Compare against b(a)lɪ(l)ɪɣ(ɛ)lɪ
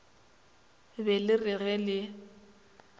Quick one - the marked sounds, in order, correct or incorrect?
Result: incorrect: ɛ, incorrect: r, correct

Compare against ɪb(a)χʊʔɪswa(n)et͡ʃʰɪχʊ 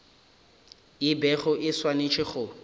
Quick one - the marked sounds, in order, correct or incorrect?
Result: incorrect: ɛ, correct

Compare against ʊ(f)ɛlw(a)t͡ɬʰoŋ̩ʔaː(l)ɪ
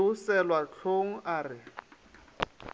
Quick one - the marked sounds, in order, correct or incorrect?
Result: incorrect: s, correct, incorrect: r

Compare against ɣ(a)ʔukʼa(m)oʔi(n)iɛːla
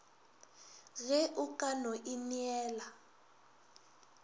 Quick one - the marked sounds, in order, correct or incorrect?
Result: incorrect: ɛ, incorrect: n, correct

